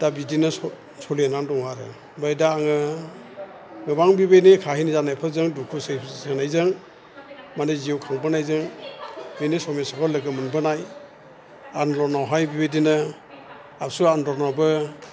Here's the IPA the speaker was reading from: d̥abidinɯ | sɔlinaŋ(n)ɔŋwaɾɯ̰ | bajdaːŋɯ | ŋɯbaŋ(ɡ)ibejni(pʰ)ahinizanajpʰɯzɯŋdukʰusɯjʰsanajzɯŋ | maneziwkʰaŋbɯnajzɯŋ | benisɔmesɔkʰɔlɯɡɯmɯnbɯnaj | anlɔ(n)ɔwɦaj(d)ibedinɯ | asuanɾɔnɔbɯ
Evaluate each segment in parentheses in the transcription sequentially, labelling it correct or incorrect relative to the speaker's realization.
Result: incorrect, incorrect, incorrect, correct, incorrect

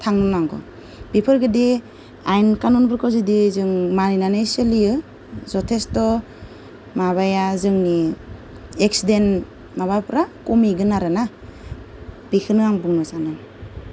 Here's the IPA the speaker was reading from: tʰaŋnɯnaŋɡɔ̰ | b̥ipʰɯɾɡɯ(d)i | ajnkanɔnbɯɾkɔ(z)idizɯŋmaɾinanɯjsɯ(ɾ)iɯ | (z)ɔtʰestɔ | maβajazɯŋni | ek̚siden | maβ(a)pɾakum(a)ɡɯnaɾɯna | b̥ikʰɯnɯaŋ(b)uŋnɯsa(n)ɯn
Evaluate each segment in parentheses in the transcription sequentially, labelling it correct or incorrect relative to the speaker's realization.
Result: correct, correct, incorrect, correct, correct, incorrect, correct, correct

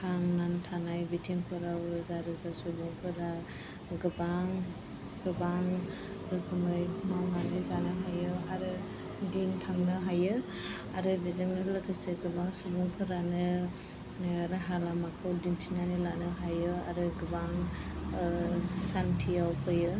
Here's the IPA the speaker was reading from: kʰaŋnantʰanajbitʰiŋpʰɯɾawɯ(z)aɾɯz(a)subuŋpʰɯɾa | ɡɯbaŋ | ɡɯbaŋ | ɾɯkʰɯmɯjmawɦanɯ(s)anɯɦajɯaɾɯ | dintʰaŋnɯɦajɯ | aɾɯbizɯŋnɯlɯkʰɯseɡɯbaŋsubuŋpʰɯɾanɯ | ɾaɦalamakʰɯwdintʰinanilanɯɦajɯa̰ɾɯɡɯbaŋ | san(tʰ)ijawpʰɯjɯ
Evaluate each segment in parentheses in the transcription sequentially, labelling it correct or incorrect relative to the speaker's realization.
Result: correct, correct, incorrect, correct

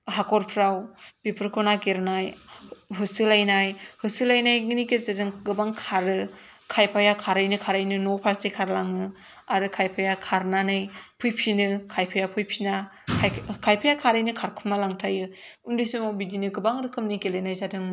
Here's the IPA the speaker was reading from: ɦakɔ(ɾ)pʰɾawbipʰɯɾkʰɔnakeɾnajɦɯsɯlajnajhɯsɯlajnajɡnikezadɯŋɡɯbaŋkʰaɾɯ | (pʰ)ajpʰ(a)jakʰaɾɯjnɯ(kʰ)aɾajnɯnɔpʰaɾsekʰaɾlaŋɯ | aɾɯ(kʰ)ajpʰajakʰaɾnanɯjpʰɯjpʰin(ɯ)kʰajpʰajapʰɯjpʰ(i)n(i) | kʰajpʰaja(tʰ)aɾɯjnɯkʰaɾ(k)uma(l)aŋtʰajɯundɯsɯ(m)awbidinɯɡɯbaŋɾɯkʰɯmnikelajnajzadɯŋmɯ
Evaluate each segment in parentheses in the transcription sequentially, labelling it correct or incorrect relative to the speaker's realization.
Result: correct, incorrect, correct, correct, correct, correct, correct, incorrect, incorrect, incorrect, correct, correct

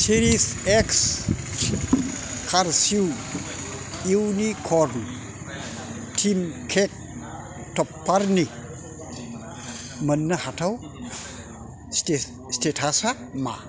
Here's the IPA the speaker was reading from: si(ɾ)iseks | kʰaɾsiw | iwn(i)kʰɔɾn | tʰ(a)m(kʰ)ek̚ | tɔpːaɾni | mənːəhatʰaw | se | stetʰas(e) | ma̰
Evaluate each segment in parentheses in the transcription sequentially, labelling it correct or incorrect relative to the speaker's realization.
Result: correct, correct, incorrect, correct, incorrect

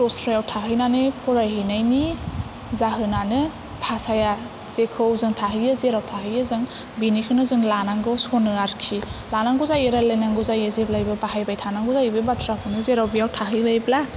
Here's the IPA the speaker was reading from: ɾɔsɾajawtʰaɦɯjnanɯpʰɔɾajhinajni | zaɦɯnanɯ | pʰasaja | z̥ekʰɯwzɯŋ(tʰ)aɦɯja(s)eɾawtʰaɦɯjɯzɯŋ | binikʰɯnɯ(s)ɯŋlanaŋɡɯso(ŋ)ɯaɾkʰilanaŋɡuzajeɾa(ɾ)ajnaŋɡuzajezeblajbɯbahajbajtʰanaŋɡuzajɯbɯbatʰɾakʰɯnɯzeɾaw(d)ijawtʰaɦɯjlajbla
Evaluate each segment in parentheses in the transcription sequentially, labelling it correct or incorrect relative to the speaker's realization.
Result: correct, incorrect, incorrect, incorrect, incorrect, incorrect

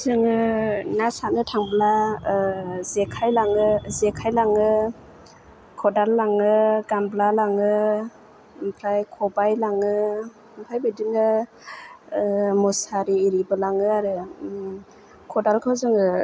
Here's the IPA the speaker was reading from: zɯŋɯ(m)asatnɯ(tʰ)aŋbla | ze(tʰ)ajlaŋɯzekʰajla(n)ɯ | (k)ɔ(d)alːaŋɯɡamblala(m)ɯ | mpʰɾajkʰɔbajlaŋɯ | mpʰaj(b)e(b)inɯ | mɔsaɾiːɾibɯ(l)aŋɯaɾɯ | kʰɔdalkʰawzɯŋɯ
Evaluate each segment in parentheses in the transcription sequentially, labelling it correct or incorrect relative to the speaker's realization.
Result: incorrect, correct, incorrect, incorrect, incorrect, correct, incorrect, correct, incorrect, correct

